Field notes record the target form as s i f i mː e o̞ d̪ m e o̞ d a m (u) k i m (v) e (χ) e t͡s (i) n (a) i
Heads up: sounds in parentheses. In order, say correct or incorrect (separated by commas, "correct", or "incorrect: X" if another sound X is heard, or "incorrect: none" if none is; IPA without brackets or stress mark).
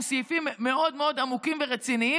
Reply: correct, correct, incorrect: ʁ, correct, incorrect: i